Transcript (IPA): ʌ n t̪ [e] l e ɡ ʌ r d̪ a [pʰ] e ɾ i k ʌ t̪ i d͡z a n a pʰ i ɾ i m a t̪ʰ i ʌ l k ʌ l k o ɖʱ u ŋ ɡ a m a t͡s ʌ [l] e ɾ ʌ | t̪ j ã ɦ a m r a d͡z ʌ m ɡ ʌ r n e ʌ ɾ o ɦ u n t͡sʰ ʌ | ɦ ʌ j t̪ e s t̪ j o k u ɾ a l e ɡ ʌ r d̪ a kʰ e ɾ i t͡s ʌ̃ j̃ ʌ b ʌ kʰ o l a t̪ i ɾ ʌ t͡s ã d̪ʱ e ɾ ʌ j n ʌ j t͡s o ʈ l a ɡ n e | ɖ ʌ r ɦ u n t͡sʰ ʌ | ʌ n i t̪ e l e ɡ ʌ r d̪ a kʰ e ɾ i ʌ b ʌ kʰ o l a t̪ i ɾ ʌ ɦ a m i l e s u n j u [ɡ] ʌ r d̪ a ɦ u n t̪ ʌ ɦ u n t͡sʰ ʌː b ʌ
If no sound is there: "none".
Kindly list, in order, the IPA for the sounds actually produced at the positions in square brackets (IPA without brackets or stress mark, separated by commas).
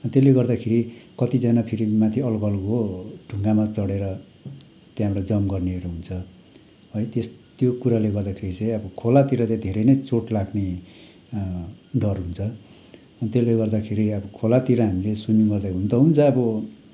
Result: e, kʰ, ɽ, ɡ